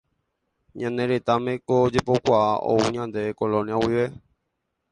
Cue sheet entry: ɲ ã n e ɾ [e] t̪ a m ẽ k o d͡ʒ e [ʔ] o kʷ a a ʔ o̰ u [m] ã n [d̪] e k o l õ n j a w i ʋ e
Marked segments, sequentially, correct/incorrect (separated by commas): correct, incorrect, incorrect, correct